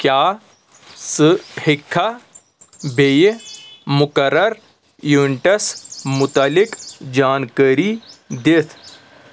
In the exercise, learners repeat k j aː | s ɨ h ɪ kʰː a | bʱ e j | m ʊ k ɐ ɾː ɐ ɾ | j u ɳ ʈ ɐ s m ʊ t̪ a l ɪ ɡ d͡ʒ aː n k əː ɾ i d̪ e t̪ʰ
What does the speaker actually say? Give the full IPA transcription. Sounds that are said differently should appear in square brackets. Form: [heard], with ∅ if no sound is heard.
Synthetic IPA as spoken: k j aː | s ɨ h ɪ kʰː a | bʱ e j | m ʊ k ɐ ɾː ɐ ɾ | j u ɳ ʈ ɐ s m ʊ t̪ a l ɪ [k] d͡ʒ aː n k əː ɾ i d̪ e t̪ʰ